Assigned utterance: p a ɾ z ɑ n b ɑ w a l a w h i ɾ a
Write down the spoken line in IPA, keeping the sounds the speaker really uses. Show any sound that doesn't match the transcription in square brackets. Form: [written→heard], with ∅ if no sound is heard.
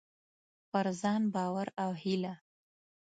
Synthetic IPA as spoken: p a ɾ z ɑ n b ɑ w a [l→ɾ] a w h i [ɾ→l] a